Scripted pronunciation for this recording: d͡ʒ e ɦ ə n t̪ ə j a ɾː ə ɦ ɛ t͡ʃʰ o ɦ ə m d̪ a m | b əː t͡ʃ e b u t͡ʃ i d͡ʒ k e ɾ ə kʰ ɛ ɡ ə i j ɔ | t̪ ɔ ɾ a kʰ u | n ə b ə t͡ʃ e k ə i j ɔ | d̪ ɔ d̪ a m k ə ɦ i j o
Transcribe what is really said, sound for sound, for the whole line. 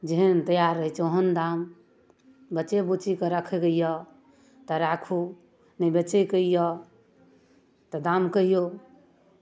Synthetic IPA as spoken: d͡ʒ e ɦ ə n t̪ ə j a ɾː ə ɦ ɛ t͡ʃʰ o ɦ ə n d̪ a m | b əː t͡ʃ e b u t͡ʃ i k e ɾ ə kʰ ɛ ɡ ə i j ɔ | t̪ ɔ ɾ a kʰ u | n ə b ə t͡ʃ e k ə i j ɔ | t̪ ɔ d̪ a m k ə ɦ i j o